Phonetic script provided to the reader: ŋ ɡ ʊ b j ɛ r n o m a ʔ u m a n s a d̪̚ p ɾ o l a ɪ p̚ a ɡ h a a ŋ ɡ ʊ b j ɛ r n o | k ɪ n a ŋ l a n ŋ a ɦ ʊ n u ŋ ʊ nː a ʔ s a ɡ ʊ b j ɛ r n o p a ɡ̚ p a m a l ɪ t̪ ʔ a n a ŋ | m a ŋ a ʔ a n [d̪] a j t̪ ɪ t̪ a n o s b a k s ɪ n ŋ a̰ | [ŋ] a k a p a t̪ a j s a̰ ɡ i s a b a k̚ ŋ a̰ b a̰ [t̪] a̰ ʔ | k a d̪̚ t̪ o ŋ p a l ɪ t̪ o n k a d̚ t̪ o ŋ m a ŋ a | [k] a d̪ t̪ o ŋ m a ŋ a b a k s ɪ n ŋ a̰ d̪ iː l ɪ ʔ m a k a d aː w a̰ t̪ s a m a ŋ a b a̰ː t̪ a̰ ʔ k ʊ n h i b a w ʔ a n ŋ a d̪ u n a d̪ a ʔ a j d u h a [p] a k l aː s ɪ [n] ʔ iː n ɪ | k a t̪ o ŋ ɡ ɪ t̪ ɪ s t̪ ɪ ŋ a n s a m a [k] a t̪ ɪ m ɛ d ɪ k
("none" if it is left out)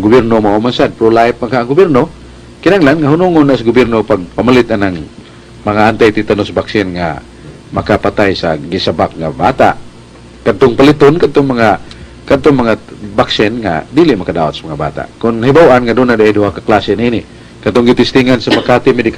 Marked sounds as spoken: t̪, m, t̪, k, k, n, k

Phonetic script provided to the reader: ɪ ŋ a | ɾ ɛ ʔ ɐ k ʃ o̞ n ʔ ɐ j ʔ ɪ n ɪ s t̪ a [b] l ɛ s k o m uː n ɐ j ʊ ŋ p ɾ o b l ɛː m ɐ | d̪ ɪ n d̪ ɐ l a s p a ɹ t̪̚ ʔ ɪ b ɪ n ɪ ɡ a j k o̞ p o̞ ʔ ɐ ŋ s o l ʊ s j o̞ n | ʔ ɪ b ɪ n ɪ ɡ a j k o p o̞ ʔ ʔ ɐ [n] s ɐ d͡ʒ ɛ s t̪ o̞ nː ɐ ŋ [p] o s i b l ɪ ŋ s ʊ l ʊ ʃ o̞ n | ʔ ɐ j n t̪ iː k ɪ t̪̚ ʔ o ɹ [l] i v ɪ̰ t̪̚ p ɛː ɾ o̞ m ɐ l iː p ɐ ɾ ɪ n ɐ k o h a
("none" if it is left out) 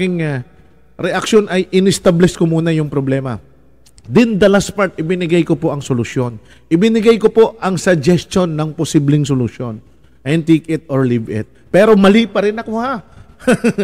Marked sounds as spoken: b, ŋ, p, l

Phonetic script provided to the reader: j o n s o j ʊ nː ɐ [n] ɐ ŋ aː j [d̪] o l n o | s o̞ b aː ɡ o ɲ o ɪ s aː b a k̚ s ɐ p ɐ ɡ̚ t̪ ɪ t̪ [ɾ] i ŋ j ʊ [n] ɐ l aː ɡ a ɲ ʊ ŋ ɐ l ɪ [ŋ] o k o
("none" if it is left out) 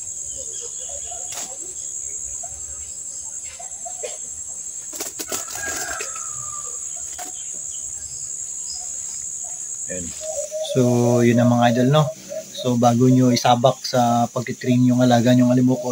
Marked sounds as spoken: m, d̪, ɾ, ŋ, m

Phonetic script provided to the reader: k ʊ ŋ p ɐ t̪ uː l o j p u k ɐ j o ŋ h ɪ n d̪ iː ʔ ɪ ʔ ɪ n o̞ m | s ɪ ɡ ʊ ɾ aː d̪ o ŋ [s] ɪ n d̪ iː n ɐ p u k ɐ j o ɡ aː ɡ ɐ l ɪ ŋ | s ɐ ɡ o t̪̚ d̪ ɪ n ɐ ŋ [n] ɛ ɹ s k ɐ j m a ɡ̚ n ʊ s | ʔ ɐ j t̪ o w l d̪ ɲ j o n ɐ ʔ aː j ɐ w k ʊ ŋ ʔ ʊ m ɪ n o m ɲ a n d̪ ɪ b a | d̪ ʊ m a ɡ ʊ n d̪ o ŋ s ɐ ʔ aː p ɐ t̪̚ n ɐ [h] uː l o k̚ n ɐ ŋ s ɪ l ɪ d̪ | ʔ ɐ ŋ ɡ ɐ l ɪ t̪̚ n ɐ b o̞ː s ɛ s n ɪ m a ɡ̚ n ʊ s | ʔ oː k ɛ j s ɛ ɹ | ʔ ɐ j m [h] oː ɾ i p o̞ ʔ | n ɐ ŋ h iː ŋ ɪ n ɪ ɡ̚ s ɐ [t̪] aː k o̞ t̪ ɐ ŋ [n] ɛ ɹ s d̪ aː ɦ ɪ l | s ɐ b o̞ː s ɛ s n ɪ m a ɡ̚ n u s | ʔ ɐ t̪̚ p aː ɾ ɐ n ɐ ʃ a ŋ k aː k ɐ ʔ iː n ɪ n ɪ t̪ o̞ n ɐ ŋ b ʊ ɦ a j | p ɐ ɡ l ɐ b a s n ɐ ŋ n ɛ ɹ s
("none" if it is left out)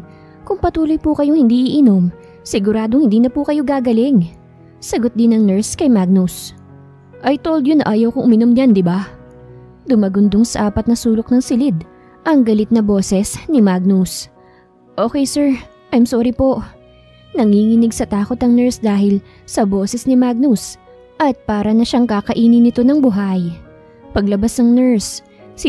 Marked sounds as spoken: h, n, s, s, t̪, n

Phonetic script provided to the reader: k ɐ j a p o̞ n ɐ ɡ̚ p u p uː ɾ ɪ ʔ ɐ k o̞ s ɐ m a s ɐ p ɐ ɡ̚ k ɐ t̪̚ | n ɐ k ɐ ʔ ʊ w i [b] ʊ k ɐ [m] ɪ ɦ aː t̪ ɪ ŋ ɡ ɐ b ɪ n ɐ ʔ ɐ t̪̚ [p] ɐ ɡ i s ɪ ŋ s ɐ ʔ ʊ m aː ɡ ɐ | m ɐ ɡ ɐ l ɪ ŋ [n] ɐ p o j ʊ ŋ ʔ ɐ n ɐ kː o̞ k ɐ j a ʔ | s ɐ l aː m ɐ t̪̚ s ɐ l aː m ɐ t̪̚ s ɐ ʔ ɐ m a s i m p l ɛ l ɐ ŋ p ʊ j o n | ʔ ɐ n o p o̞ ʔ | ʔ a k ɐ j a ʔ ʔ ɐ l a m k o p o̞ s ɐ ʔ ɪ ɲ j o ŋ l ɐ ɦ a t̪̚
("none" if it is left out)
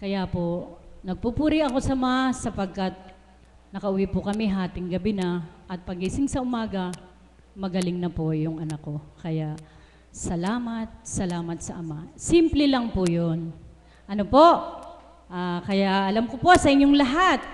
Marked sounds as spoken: p, m, p, n

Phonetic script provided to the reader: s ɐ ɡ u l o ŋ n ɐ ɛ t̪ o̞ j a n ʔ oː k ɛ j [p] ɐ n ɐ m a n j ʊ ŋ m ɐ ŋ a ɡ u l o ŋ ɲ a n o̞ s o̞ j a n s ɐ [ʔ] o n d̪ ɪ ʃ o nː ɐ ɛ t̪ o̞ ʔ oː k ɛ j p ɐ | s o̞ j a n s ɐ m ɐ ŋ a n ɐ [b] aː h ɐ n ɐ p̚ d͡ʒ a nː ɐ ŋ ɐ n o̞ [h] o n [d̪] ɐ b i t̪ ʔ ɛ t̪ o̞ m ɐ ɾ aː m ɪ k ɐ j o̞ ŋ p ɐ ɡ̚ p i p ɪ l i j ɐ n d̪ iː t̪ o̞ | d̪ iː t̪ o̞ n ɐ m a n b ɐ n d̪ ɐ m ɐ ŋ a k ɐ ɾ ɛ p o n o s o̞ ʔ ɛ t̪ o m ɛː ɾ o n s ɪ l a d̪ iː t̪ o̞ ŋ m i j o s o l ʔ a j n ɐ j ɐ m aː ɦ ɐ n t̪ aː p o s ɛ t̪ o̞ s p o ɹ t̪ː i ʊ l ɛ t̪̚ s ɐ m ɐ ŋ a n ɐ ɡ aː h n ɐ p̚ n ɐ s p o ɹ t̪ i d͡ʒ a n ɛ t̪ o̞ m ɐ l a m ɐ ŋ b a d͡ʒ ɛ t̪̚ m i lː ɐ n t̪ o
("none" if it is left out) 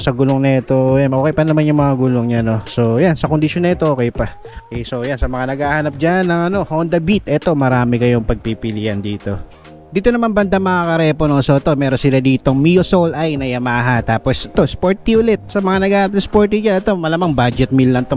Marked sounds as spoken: p, k, ɡ, h, d̪

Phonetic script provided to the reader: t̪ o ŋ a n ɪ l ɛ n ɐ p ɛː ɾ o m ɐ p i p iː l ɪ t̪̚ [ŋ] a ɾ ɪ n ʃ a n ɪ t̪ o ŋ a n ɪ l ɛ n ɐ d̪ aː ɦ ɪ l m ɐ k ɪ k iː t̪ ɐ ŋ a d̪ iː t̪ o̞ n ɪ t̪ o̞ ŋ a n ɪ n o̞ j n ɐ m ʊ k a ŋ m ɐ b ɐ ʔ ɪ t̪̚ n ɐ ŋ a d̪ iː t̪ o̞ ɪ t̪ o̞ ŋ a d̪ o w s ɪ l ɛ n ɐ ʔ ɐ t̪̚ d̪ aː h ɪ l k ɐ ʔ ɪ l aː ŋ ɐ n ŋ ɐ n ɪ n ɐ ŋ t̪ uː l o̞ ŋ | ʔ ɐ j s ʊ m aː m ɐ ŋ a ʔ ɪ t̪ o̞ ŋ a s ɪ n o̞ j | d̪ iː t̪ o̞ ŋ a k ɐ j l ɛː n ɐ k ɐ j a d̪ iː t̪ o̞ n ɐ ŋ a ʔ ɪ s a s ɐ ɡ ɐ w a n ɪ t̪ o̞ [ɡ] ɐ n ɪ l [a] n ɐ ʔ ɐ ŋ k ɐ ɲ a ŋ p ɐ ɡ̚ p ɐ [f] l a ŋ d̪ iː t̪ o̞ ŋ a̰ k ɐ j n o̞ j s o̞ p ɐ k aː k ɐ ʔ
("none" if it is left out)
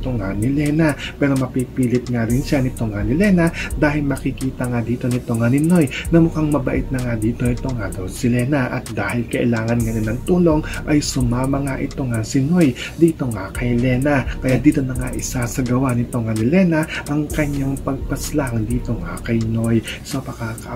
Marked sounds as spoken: ŋ, ŋ, ɛ, s

